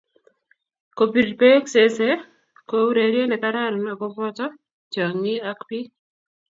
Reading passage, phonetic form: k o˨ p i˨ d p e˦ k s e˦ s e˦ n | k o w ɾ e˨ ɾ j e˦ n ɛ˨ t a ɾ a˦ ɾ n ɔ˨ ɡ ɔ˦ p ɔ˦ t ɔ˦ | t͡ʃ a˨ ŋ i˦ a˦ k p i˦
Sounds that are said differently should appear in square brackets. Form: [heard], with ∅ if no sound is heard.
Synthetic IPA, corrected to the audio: k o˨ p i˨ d p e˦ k s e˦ s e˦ [∅] | k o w ɾ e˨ ɾ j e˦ n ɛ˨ [k] a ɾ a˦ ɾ n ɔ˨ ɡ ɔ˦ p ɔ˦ t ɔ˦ | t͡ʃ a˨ ŋ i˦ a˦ k p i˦

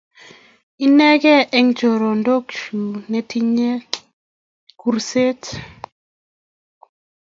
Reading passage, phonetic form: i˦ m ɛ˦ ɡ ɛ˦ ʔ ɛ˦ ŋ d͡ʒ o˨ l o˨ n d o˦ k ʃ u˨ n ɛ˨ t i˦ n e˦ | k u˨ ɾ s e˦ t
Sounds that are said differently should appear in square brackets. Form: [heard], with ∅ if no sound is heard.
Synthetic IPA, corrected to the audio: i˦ [n] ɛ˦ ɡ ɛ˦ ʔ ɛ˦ ŋ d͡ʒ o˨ [ɾ] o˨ n d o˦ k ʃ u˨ n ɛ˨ t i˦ [ɲ] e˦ | k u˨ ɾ s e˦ t

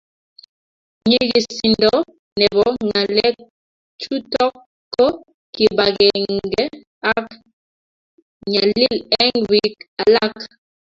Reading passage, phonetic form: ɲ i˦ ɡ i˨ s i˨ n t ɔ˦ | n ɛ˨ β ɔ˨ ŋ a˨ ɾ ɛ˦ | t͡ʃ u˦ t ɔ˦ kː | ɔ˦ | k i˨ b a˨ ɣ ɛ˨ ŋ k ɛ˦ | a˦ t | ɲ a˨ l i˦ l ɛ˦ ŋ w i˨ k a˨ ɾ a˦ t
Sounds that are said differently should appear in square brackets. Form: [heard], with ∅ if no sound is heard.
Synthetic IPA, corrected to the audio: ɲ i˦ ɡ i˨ s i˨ n [d] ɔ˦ | n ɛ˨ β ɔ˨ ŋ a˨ [l] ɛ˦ | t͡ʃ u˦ t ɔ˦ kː | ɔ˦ | k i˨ b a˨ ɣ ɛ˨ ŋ [ɡ] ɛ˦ | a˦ [k] | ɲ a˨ l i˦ l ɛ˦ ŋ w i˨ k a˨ [l] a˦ [k]

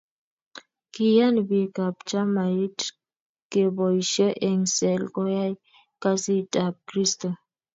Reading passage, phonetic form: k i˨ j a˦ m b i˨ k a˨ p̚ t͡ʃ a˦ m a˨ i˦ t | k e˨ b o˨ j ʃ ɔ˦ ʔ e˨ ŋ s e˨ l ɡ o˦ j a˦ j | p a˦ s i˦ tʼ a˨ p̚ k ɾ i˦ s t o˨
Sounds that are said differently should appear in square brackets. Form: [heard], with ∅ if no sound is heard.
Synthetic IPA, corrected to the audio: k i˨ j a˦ [n] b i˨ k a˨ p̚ t͡ʃ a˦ m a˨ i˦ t | k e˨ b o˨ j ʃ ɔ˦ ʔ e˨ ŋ s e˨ l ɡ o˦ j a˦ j | [k] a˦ s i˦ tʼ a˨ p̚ k ɾ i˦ s t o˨

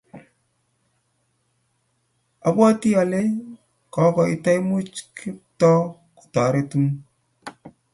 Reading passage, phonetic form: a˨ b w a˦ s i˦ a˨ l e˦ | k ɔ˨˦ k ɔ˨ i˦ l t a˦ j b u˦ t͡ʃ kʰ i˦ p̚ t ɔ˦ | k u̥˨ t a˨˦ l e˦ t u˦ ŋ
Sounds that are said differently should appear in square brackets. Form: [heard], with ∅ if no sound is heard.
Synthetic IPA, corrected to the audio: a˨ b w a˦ [t] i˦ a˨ l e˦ | k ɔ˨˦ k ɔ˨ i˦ [∅] t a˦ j [m] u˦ t͡ʃ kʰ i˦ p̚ t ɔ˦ | k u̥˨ t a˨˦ [ɾ] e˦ t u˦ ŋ

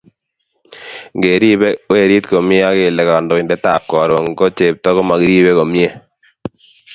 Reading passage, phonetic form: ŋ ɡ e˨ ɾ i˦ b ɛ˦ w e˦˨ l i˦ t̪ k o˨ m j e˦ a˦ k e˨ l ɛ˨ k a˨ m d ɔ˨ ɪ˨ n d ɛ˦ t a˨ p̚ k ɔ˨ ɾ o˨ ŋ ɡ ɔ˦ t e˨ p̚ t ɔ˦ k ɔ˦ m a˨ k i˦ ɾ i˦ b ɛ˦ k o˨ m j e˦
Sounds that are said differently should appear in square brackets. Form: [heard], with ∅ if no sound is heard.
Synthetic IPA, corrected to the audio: ŋ ɡ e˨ ɾ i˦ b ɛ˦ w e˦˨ [ɾ] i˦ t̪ k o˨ m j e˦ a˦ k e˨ l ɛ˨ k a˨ [n] d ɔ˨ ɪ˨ n d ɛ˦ t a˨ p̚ k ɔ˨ ɾ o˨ ŋ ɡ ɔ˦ [t͡ʃ] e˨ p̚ t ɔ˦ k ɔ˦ m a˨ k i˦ ɾ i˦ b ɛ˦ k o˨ m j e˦

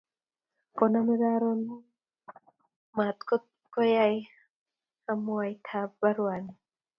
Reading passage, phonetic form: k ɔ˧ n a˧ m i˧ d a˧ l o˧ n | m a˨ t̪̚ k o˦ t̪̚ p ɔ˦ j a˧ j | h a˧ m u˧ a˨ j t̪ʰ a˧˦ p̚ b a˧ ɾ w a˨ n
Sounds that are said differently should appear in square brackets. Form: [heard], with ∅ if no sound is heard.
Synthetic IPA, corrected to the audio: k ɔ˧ n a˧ m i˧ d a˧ [ɾ] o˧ n | m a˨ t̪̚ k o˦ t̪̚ [k] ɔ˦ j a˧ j | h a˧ m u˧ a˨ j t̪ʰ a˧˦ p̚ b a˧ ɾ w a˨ n

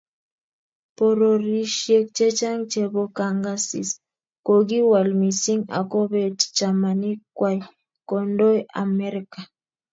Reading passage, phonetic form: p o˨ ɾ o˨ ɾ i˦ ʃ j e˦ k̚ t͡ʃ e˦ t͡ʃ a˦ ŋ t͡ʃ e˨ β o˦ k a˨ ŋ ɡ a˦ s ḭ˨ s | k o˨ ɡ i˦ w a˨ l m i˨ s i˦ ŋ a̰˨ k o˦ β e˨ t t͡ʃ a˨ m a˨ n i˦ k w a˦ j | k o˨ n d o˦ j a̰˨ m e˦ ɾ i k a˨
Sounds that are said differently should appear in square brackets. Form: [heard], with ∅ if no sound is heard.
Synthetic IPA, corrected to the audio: p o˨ ɾ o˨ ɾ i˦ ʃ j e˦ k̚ t͡ʃ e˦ t͡ʃ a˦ ŋ t͡ʃ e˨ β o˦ k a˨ ŋ ɡ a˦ s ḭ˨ s | k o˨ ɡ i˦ w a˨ l m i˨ s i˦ ŋ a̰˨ k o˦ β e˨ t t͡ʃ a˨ m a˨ n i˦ k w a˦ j | k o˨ n d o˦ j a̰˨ m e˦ ɾ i k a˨

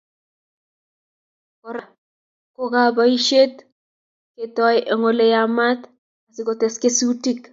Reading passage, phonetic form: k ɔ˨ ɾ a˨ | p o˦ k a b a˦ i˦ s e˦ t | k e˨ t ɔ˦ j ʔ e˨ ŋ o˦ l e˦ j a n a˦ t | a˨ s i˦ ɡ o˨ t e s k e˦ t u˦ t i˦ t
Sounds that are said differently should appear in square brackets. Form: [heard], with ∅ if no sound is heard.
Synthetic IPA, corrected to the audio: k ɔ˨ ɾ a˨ | [k] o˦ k a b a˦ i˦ [ʃ] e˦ t | k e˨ t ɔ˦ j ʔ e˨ ŋ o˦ l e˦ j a [m] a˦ t | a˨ s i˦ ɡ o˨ t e s k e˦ [s] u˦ t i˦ [k]

